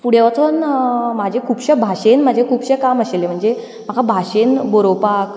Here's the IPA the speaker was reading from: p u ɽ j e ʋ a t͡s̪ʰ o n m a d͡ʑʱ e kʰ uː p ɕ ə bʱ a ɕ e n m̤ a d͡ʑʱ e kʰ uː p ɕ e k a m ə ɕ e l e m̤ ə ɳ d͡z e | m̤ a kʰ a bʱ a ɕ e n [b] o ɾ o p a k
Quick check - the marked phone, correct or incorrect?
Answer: correct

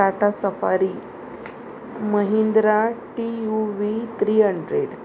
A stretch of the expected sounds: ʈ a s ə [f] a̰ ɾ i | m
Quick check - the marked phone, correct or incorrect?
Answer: correct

